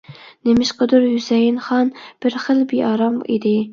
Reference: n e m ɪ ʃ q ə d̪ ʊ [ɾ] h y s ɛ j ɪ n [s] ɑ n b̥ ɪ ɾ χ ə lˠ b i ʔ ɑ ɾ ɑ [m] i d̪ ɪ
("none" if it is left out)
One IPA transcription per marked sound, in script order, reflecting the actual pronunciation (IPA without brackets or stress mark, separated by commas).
ɾ, χ, m